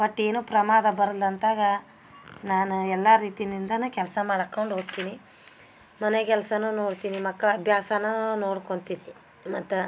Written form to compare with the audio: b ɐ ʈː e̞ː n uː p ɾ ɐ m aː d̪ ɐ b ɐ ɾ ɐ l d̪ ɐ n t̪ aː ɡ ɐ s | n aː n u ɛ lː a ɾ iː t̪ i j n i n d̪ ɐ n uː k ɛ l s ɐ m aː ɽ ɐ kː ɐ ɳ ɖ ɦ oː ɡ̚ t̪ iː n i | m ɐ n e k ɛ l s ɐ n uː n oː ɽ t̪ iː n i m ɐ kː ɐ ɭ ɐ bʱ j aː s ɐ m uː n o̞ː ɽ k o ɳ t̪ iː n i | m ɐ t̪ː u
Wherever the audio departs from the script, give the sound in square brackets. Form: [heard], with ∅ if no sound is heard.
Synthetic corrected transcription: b ɐ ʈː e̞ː n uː p ɾ ɐ m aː d̪ ɐ b ɐ ɾ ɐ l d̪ ɐ n t̪ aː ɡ ɐ [∅] | n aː n u ɛ lː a ɾ iː t̪ i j n i n d̪ ɐ n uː k ɛ l s ɐ m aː ɽ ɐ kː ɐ ɳ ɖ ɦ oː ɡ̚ t̪ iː n i | m ɐ n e k ɛ l s ɐ n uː n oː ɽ t̪ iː n i m ɐ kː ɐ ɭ ɐ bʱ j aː s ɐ [n] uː n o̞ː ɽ k o ɳ t̪ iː n i | m ɐ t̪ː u

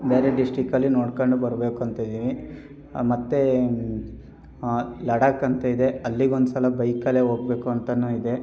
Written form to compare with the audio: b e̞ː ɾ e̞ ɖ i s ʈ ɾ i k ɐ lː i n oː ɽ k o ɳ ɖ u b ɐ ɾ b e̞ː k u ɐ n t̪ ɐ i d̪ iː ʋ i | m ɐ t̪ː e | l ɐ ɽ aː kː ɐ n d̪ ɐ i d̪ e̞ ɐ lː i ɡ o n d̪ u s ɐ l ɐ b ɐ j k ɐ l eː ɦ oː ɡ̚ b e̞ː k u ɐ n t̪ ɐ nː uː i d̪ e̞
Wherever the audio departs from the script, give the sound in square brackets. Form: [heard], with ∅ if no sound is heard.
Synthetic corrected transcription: b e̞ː ɾ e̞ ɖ i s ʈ ɾ i k ɐ lː i n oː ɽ k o ɳ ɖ u b ɐ ɾ b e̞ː k u ɐ n t̪ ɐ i d̪ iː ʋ i | m ɐ t̪ː e | l ɐ ɽ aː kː ɐ n [t̪] ɐ i d̪ e̞ ɐ lː i ɡ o n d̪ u s ɐ l ɐ b ɐ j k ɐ l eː ɦ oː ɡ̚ b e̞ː k u ɐ n t̪ ɐ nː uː i d̪ e̞

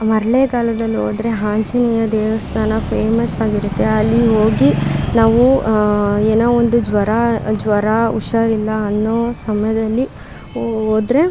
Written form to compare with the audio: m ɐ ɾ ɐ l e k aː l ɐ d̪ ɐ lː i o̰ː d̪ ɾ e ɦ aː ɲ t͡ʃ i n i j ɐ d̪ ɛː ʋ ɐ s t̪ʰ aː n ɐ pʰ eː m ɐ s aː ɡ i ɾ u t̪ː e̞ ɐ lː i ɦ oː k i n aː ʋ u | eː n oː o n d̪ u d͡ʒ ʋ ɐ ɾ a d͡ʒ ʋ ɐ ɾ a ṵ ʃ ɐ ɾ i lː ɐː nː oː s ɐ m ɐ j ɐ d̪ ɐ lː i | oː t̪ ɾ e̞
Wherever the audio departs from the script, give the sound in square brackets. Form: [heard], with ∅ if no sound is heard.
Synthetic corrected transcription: m ɐ ɾ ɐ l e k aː l ɐ d̪ ɐ lː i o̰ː d̪ ɾ e ɦ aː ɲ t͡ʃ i n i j ɐ d̪ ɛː ʋ ɐ s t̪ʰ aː n ɐ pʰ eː m ɐ s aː ɡ i ɾ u t̪ː e̞ ɐ lː i ɦ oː [ɡ] i n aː ʋ u | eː n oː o n d̪ u d͡ʒ ʋ ɐ ɾ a d͡ʒ ʋ ɐ ɾ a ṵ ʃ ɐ ɾ i lː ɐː nː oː s ɐ m ɐ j ɐ d̪ ɐ lː i | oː [d̪] ɾ e̞

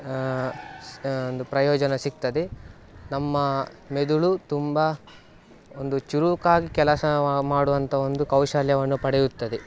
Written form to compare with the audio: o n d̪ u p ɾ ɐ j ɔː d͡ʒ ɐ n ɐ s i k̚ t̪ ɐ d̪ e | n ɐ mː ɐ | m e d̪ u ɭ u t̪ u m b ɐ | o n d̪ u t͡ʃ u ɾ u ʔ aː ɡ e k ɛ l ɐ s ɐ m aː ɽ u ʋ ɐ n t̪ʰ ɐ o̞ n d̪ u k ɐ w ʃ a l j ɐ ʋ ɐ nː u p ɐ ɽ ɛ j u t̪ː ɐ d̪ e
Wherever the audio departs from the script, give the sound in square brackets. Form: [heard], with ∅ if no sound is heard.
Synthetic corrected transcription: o n d̪ u p ɾ ɐ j ɔː d͡ʒ ɐ n ɐ s i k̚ t̪ ɐ d̪ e | n ɐ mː ɐ | m e d̪ u ɭ u t̪ u m b ɐ | o n d̪ u t͡ʃ u ɾ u [k] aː ɡ [i] k ɛ l ɐ s ɐ m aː ɽ u ʋ ɐ n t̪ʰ ɐ o̞ n d̪ u k ɐ w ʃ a l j ɐ ʋ ɐ nː u p ɐ ɽ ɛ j u t̪ː ɐ d̪ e

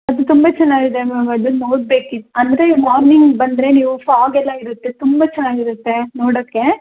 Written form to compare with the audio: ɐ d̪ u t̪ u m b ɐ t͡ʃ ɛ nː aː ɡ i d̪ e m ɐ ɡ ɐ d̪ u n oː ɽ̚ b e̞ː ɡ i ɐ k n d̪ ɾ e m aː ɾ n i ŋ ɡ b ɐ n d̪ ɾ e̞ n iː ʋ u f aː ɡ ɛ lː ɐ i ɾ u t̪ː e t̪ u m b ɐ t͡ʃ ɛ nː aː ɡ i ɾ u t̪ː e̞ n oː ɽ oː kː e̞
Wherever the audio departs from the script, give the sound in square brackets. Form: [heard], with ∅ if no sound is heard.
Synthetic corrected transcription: ɐ d̪ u t̪ u m b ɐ t͡ʃ ɛ nː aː ɡ i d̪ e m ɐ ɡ ɐ d̪ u n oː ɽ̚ b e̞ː [k] i ɐ [∅] n d̪ ɾ e m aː ɾ n i ŋ ɡ b ɐ n d̪ ɾ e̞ n iː ʋ u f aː ɡ ɛ lː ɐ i ɾ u t̪ː e t̪ u m b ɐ t͡ʃ ɛ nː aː ɡ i ɾ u t̪ː e̞ n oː ɽ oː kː e̞

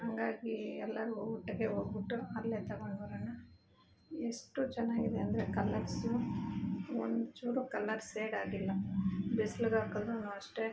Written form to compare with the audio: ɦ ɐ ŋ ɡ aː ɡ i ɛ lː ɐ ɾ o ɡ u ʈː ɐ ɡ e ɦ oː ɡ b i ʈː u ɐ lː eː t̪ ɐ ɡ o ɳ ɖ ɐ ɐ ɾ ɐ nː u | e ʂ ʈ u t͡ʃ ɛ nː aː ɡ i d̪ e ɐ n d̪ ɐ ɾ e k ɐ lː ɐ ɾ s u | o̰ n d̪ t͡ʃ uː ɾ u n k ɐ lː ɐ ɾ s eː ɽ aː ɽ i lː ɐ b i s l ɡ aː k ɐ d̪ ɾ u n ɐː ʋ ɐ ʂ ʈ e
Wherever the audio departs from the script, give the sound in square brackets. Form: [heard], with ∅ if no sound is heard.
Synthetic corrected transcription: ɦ ɐ ŋ ɡ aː ɡ i ɛ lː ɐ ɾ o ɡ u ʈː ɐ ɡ e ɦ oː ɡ b i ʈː u ɐ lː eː t̪ ɐ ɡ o ɳ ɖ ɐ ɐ ɾ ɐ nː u | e ʂ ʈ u t͡ʃ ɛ nː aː ɡ i d̪ e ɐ n d̪ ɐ ɾ e k ɐ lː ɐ ɾ s u | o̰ n d̪ t͡ʃ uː ɾ u [∅] k ɐ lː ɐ ɾ s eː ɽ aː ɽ i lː ɐ b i s l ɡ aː k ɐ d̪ ɾ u n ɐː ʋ ɐ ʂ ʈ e

